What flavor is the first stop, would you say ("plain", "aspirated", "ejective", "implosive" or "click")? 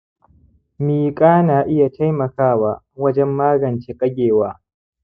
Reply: ejective